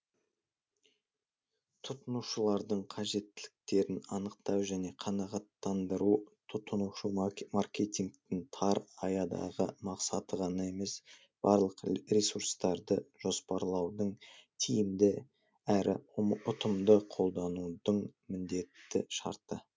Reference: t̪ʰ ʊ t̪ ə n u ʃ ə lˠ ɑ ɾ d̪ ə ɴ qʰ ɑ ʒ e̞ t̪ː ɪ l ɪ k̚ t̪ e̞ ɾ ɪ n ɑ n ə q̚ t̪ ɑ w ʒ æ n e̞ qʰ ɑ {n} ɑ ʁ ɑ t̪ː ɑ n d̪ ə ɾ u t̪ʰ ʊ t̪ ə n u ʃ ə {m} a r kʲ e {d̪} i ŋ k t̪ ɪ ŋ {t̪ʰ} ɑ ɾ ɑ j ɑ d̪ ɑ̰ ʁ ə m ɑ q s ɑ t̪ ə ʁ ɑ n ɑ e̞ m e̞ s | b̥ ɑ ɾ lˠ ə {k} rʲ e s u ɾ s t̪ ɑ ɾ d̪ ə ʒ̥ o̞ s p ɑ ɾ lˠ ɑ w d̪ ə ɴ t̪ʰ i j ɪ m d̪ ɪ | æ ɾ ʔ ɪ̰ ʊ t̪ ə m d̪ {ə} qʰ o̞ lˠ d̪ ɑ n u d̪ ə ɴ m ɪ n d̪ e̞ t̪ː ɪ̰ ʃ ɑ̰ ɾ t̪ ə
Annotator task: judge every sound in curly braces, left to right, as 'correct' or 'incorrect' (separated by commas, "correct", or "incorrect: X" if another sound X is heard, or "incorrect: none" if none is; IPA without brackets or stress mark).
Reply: correct, correct, incorrect: t̪, correct, incorrect: q, correct